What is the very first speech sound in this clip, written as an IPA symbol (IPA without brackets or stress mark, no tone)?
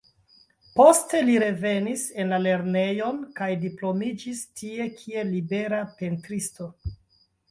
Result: p